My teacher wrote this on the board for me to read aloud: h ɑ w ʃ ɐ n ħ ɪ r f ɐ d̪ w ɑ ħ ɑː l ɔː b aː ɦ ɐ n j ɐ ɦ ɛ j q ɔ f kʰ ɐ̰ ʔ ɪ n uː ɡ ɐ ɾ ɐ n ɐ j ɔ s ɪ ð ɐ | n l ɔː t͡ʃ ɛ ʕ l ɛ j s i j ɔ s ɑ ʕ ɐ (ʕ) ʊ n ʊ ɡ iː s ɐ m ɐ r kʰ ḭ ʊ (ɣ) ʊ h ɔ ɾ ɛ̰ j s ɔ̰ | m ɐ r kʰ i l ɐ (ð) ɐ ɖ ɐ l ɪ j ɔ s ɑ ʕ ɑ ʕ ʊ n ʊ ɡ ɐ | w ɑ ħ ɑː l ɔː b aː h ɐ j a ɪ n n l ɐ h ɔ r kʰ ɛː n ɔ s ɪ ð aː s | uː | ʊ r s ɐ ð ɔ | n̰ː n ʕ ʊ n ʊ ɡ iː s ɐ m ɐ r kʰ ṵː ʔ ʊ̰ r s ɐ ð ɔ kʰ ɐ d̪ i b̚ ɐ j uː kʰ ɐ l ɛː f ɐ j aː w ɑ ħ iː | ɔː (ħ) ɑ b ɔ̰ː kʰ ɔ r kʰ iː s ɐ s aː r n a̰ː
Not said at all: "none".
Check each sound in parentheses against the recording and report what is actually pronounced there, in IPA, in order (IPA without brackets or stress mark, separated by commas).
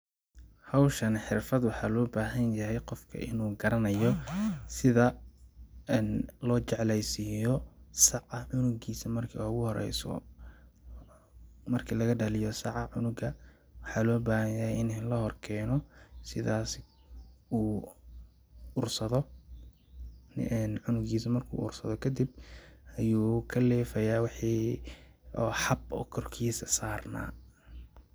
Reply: ʕ, ɣ, ɣ, ħ